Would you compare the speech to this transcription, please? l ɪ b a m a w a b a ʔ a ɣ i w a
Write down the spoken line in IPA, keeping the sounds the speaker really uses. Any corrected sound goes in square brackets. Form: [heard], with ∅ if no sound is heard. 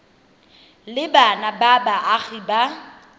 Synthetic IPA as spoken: l ɪ b a [n] a [b] a b a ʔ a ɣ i [b] a